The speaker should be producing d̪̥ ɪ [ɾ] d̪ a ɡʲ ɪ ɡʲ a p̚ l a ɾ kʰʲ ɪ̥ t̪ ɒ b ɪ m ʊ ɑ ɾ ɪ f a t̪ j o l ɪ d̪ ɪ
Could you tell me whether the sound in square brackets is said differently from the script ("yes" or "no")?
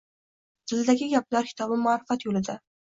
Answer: yes